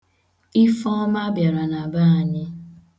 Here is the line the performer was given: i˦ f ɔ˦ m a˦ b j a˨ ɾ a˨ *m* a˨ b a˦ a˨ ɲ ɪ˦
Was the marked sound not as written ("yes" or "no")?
yes